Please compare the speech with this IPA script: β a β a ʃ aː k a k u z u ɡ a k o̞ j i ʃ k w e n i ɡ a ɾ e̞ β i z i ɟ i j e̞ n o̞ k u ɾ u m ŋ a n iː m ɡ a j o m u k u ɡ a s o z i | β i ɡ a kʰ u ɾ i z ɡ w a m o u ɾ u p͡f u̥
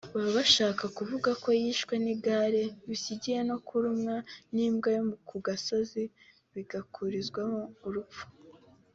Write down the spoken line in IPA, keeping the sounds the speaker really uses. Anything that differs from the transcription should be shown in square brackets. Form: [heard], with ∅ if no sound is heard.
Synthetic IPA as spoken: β a β a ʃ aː k a k u [v] u ɡ a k o̞ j i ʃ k w e n i ɡ a ɾ e̞ β i [s] i ɟ i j e̞ n o̞ k u ɾ u m ŋ a n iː m ɡ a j o m u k u ɡ a s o z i | β i ɡ a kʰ u ɾ i z ɡ w a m o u ɾ u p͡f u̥